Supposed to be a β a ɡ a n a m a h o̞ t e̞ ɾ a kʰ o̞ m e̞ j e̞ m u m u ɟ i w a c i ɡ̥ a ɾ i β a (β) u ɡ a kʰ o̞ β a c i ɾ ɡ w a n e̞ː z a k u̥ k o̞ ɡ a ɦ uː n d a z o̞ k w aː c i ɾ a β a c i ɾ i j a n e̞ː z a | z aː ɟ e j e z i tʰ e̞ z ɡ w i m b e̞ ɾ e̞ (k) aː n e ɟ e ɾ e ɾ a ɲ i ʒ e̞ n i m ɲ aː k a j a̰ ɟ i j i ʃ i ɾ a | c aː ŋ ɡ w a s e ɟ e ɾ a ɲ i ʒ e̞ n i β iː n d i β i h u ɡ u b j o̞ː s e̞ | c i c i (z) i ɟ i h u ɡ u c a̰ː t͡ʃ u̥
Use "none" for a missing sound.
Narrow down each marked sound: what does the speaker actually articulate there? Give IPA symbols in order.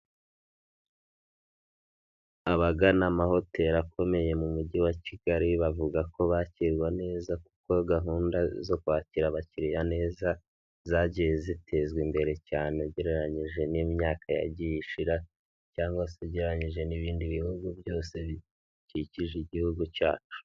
v, c, ʒ

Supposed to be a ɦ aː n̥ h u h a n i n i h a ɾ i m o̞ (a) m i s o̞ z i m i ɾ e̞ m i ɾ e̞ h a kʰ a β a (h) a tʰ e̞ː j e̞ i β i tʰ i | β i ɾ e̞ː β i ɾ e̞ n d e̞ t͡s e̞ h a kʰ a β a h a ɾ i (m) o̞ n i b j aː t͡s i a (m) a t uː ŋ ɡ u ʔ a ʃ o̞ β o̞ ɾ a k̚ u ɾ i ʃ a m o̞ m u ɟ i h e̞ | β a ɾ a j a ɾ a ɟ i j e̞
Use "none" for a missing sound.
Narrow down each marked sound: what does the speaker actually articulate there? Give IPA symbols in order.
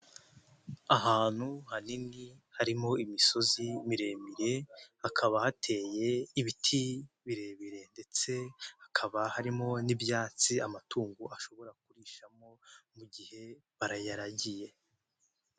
i, h, m, m

